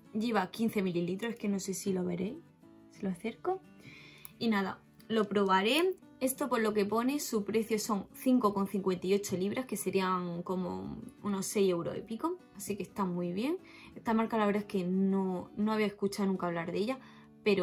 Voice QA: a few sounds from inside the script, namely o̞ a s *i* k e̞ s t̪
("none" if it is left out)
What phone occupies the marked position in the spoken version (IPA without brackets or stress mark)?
i